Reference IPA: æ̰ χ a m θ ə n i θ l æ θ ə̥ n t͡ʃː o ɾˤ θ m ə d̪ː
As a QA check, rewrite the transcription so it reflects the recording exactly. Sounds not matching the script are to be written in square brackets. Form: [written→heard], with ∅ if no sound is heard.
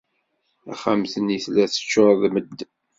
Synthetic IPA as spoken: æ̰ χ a m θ ə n i θ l æ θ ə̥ [n→∅] t͡ʃː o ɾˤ [θ→ð] m ə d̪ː